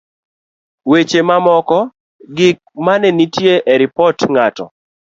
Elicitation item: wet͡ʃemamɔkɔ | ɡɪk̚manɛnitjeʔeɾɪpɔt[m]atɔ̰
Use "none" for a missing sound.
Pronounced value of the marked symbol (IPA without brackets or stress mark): ŋ